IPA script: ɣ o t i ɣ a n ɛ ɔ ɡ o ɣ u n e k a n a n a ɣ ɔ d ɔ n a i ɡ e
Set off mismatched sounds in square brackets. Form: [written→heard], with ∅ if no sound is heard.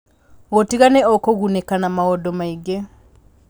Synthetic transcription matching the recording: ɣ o t i ɣ a n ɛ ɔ [ɡ→k] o ɣ u n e k a n a [n→m] a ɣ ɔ d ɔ [n→m] a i ɡ e